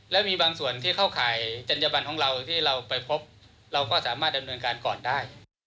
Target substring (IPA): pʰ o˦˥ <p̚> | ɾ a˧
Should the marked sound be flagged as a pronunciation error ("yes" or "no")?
no